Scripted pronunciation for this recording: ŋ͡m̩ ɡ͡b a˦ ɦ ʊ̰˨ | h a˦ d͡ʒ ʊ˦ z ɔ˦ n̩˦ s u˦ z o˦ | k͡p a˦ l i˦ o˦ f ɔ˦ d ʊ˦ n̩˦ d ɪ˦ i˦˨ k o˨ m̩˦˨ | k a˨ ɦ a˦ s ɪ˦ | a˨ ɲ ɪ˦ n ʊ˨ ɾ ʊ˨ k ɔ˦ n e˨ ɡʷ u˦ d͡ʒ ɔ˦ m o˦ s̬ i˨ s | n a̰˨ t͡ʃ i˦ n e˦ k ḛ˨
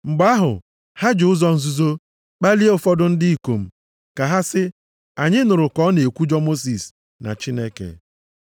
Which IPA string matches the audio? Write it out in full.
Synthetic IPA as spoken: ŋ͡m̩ ɡ͡b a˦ ɦ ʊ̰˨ | h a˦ d͡ʒ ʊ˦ z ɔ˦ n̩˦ z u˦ z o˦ | k͡p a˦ l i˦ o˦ f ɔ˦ d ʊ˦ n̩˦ d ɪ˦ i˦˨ k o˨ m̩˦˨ | k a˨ ɦ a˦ s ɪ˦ | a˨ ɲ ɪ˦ n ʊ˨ ɾ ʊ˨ k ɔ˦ n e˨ kʷ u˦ d͡ʒ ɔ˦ m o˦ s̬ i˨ s | n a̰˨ t͡ʃ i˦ n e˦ k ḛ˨